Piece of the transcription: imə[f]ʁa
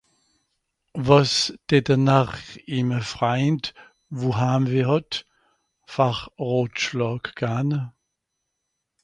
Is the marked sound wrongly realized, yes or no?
no